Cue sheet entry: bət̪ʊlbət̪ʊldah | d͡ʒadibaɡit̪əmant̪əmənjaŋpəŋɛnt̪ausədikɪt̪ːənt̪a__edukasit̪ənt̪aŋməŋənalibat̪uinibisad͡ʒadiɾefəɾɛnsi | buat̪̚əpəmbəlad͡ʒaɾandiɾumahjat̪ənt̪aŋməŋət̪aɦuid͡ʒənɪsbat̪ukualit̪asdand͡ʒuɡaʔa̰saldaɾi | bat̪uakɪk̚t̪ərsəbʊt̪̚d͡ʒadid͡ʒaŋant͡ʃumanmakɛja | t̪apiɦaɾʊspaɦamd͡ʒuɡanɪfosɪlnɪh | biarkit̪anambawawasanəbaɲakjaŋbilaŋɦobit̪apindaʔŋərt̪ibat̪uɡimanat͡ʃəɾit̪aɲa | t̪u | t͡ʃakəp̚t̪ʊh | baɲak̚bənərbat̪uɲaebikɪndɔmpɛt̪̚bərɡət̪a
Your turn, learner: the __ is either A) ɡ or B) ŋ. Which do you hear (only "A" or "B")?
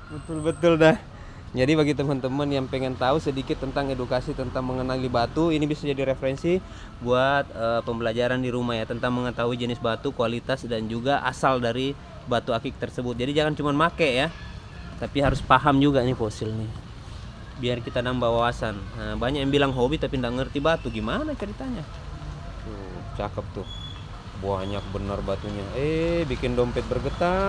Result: B